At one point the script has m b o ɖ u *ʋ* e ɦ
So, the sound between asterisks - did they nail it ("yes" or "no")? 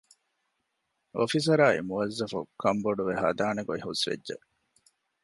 yes